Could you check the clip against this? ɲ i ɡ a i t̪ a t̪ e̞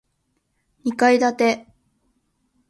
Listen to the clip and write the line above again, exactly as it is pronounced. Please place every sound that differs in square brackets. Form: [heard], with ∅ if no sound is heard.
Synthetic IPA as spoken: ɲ i [k] a i [d̪] a t̪ e̞